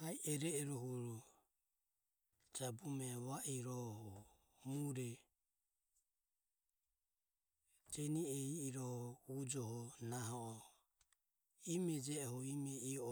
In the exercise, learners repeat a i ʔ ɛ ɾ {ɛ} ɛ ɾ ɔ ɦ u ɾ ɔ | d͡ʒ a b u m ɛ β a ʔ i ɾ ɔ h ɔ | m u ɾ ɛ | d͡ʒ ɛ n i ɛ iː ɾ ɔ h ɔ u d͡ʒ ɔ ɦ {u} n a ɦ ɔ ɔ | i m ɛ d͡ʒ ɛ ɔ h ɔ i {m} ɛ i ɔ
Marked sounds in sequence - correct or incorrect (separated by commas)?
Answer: correct, incorrect, correct